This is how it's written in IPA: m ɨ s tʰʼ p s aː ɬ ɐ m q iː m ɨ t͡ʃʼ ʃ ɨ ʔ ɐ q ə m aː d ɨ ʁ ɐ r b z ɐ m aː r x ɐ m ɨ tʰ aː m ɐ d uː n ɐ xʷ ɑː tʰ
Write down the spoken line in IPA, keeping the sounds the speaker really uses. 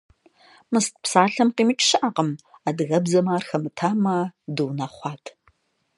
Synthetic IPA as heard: m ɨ s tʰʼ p s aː ɬ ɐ m q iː m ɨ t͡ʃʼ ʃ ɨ ʔ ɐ q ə m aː d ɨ ɣ ɐ b z ɐ m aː r x ɐ m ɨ tʰ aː m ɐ d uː n ɐ χʷ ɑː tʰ